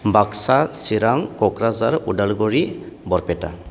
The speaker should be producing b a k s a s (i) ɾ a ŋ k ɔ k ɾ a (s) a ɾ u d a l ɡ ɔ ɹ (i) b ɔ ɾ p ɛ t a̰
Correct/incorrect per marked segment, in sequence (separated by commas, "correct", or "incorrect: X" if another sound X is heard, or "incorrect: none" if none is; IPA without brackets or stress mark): correct, incorrect: z, correct